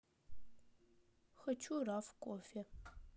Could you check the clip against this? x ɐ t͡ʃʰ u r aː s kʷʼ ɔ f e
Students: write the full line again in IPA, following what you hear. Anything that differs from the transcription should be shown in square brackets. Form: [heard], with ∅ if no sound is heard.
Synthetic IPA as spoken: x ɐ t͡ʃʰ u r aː [f] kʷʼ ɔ f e